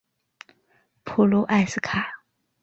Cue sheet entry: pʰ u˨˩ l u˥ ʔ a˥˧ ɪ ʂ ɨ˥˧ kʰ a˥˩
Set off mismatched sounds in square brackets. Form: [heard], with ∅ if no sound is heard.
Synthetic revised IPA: pʰ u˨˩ l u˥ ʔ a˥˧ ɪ [s] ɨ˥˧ kʰ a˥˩